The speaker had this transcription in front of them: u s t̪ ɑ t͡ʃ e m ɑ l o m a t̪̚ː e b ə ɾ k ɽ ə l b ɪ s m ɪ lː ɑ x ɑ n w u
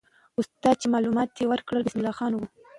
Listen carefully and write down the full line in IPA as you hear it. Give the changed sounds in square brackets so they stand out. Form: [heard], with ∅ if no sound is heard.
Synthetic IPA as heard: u s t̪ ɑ t͡ʃ e m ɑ l [u] m [ɑ] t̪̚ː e [w] ə ɾ k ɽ ə l b ɪ s m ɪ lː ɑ x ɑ n w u